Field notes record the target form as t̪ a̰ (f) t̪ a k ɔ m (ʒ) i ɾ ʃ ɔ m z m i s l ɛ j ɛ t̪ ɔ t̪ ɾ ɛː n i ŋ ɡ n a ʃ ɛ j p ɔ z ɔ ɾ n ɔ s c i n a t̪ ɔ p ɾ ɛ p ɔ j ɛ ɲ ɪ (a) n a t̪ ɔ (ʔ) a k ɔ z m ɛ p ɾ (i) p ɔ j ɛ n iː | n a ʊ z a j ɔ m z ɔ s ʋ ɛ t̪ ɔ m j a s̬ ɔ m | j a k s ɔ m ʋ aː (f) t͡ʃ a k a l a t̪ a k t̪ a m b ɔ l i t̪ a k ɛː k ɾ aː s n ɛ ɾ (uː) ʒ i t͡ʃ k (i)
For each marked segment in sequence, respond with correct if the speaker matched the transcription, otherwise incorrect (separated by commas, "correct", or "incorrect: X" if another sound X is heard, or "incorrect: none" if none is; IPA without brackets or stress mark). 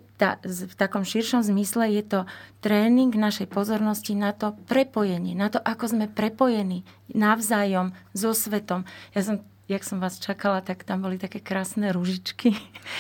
correct, incorrect: ʃ, incorrect: ɛ, correct, incorrect: ɛ, incorrect: s, incorrect: u, correct